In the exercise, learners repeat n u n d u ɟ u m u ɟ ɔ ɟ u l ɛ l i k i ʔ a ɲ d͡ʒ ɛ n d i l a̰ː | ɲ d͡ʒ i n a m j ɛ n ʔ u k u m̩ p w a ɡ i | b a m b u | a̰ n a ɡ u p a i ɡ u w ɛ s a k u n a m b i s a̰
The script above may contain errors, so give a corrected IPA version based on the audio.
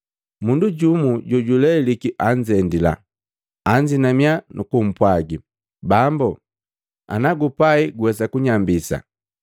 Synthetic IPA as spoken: m u n d u ɟ u m u ɟ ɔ ɟ u l ɛ l i k i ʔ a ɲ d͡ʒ ɛ n d i l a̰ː | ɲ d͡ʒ i n a m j a n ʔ u k u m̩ p w a ɡ i | b a m b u | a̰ n a ɡ u p a i ɡ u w ɛ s a k u ɲ a m b i s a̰